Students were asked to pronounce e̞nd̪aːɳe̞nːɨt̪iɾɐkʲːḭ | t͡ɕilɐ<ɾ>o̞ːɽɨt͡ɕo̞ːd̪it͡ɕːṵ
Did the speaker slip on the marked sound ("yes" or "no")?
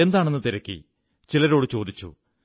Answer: no